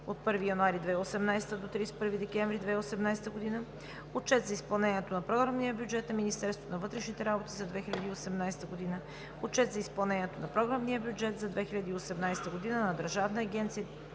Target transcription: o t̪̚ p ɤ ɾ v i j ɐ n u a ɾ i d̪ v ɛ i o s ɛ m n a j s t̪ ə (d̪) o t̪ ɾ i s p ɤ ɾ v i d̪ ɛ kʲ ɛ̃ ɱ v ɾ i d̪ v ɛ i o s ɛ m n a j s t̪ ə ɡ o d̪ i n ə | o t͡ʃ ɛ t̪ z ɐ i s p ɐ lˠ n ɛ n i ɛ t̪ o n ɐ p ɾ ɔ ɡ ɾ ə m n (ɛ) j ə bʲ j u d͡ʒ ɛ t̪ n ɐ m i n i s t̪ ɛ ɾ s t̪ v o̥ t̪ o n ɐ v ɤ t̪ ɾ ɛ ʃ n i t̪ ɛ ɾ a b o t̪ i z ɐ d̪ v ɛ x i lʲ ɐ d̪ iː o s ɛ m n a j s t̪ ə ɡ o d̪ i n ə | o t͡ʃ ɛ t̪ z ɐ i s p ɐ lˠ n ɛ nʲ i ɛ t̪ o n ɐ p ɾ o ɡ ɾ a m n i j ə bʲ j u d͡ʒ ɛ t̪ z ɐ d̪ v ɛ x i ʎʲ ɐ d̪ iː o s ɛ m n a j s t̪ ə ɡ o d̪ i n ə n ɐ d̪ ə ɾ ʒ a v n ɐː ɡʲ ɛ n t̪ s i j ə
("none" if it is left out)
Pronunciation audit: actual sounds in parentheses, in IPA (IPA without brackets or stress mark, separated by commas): d̪, i